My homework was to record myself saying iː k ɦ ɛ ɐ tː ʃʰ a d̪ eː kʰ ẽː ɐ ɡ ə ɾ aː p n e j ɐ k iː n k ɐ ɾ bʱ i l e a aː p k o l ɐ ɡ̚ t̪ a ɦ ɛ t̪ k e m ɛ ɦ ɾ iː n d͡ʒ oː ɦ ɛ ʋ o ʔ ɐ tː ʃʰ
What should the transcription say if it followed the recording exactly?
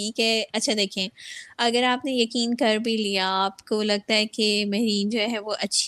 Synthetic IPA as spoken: iː k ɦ ɛ ɐ tː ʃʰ a d̪ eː kʰ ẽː ɐ ɡ ə ɾ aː p n e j ɐ k iː n k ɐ ɾ bʱ i l i a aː p k o l ɐ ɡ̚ t̪ a ɦ ɛ k e m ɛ ɦ ɾ iː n d͡ʒ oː ɦ ɛ ʋ o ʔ ɐ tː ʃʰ